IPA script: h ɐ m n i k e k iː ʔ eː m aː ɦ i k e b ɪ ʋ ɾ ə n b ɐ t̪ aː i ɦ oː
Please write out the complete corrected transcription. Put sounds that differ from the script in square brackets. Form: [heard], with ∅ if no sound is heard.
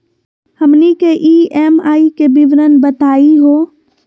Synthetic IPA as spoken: h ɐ m n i k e [ʔ] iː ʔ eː m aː [∅] i k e b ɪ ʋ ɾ ə n b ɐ t̪ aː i ɦ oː